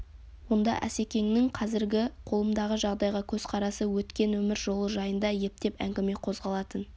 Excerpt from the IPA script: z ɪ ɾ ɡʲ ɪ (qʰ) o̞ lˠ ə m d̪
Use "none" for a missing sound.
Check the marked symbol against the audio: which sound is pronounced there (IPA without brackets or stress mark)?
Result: qʰ